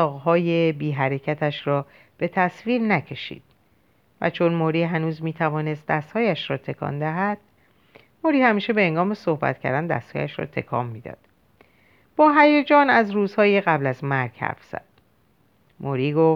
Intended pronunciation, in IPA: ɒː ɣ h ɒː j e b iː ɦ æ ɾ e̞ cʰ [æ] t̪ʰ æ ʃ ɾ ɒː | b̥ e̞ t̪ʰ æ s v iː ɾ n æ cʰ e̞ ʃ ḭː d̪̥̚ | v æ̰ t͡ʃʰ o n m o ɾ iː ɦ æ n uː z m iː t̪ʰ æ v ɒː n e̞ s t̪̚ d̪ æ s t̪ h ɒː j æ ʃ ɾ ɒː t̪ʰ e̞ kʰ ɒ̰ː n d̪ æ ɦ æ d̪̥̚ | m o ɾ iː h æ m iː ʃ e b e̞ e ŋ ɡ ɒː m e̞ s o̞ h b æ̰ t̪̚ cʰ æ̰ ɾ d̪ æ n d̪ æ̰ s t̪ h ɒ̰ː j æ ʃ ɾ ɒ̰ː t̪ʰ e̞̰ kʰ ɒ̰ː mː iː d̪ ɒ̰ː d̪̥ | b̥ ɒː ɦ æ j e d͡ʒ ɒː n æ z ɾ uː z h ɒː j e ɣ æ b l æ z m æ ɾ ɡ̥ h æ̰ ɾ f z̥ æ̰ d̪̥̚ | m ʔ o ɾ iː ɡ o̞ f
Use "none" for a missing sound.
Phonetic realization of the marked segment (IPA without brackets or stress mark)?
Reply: æ